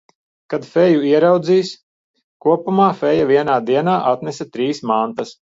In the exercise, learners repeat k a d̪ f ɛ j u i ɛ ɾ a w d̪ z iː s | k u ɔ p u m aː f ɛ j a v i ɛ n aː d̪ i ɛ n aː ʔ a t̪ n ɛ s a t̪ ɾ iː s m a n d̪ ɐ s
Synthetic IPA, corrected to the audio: k a d̪ f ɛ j u i ɛ ɾ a w d̪ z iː s | k u ɔ p u m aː f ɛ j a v i ɛ n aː d̪ i ɛ n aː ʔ a t̪ n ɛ s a t̪ ɾ iː s m a n t̪ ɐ s